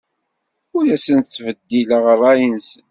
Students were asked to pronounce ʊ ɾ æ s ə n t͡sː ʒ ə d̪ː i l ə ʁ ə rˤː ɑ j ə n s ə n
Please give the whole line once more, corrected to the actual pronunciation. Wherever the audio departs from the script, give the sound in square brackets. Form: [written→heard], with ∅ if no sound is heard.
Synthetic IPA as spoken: ʊ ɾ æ s ə n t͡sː [ʒ→v] ə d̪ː i l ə ʁ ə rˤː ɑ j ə n s ə n